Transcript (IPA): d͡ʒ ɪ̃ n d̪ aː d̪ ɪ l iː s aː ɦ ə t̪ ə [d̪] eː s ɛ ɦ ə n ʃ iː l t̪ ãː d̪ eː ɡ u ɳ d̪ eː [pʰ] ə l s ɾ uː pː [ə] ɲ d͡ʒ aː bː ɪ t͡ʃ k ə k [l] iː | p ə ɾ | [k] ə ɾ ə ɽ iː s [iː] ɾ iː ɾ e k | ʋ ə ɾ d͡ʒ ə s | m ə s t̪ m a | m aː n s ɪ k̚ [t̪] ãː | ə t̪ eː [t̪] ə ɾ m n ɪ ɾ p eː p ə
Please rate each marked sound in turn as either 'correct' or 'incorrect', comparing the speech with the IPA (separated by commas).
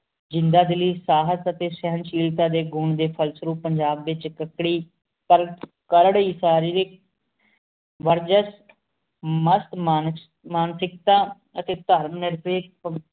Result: incorrect, correct, correct, incorrect, correct, incorrect, correct, correct